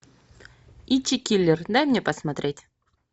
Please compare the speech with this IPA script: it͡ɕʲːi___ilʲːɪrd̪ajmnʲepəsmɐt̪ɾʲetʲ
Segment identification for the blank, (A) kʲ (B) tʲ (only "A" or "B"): A